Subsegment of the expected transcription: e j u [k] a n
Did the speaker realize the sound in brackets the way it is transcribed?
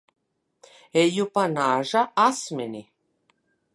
no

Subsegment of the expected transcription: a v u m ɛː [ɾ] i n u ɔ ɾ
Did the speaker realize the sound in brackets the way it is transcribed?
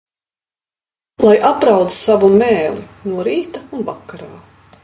no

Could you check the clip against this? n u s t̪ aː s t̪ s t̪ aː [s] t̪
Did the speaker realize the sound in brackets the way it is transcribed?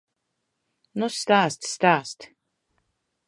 yes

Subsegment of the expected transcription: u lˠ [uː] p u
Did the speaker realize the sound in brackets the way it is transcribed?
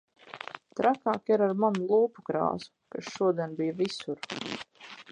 yes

